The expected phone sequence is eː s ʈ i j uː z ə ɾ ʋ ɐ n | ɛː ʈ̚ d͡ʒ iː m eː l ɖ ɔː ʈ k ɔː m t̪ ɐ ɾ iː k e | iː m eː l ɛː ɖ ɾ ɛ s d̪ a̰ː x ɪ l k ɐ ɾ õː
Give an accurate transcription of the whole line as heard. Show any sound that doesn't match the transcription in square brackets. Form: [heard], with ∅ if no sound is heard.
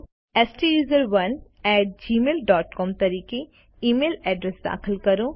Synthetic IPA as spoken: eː s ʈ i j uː z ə ɾ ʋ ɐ n | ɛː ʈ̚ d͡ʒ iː m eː l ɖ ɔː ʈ k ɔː m t̪ ɐ ɾ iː k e | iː m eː l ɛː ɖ ɾ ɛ s d̪ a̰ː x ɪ l k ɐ ɾ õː